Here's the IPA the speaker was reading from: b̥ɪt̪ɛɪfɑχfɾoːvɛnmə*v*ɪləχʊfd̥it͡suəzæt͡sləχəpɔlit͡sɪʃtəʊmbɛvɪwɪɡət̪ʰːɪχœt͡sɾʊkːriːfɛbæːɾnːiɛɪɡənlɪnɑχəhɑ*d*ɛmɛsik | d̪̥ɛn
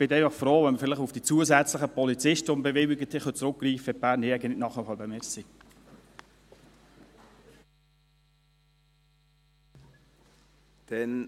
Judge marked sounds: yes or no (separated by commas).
no, no